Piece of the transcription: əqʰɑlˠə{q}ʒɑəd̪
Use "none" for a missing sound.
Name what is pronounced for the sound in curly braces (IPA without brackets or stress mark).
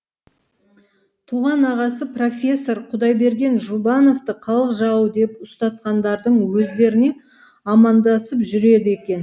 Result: q